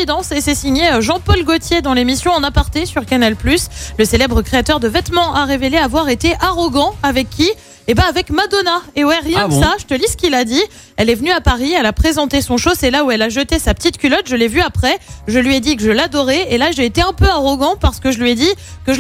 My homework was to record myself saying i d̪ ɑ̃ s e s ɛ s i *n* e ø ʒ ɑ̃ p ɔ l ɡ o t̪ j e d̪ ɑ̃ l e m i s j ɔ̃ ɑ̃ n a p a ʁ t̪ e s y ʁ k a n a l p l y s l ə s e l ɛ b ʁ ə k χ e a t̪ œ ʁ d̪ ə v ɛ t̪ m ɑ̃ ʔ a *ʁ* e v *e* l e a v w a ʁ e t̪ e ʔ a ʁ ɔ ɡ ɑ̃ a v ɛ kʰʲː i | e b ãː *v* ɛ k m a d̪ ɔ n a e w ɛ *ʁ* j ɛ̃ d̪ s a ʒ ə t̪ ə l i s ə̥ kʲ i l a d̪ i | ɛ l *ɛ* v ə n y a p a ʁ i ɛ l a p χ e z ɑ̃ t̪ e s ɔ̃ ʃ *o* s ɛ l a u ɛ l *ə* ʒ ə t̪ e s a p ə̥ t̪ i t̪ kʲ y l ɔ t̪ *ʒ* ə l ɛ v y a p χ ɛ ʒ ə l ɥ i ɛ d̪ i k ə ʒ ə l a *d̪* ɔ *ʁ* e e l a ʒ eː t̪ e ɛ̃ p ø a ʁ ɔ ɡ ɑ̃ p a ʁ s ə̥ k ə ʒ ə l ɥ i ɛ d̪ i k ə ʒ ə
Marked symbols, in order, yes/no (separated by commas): no, yes, yes, yes, yes, yes, yes, no, yes, yes, yes